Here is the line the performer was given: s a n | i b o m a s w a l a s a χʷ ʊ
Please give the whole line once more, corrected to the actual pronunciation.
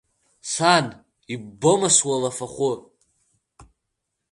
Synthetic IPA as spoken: s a n | i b o m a s w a l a f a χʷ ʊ